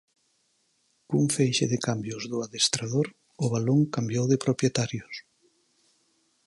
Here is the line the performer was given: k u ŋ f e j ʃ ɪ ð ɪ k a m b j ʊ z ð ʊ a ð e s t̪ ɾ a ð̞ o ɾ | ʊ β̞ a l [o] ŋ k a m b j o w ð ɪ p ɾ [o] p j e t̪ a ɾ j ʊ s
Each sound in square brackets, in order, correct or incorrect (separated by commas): correct, correct